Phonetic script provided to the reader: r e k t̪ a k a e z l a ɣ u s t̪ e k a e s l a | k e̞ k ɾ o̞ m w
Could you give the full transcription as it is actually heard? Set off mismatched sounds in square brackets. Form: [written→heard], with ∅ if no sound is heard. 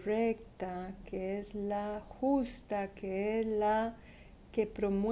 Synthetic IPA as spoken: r e k t̪ a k [a→e] e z l a [ɣ→x] u s t̪ [e→a] k [a→e] e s l a | k e̞ [k→p] ɾ o̞ m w